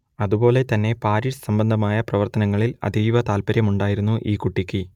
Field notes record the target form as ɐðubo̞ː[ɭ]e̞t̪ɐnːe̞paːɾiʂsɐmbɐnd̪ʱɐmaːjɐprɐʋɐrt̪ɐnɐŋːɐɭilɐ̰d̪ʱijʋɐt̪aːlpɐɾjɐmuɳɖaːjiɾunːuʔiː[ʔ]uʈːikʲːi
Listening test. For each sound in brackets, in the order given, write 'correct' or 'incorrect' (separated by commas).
incorrect, incorrect